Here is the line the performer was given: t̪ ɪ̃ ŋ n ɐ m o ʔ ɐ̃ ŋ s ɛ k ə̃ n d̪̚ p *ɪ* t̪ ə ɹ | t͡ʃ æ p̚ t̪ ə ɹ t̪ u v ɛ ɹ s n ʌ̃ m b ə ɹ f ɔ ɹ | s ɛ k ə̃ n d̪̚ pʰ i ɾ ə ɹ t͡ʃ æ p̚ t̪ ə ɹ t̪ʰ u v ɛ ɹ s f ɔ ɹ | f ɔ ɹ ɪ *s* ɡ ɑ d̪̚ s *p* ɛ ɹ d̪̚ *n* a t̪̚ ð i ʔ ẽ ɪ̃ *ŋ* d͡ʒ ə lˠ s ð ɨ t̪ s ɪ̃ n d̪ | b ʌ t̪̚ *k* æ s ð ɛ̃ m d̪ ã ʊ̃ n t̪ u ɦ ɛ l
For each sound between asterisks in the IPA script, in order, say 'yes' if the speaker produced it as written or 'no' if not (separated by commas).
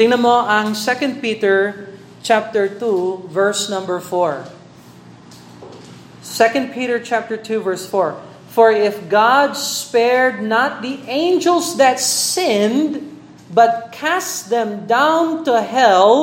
no, no, yes, yes, no, no